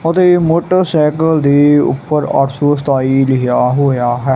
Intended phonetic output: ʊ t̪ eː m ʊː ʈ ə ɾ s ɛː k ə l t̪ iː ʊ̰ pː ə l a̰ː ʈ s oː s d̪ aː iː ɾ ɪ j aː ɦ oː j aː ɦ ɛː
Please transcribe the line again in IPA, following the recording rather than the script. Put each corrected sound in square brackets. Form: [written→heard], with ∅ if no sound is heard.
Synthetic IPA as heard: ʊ t̪ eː m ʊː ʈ ə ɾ s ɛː k ə l [t̪→d̪] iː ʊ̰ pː ə [l→ɾ] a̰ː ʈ s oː s [d̪→t̪] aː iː [ɾ→l] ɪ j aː ɦ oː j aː ɦ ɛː